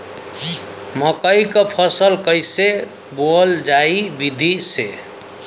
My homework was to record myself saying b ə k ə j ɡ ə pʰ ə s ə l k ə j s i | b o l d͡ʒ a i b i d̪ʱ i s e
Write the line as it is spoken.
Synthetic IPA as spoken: m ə k ə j k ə pʰ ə s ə l k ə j s e | b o l d͡ʒ a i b i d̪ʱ i s e